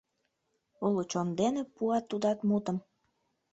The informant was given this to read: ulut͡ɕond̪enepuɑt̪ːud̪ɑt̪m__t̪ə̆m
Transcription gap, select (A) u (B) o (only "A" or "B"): A